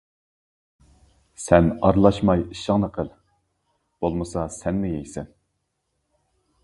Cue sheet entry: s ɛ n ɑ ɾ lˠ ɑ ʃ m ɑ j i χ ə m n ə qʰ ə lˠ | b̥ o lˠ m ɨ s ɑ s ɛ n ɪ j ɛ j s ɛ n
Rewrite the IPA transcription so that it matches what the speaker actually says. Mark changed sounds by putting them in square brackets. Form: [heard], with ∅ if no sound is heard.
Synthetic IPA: s ɛ n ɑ ɾ lˠ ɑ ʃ m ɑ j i [ʃ] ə [ŋ] n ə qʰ ə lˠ | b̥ o lˠ m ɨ s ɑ s ɛ [nː] ɪ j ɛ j s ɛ n